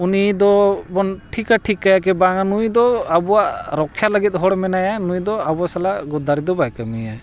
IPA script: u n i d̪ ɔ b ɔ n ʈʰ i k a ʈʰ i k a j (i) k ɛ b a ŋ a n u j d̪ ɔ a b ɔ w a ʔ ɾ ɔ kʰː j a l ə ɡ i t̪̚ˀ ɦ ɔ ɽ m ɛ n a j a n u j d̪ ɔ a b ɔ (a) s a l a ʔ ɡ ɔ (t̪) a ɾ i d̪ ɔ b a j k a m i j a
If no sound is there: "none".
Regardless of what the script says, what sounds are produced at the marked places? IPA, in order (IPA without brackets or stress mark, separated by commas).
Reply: a, a, d̪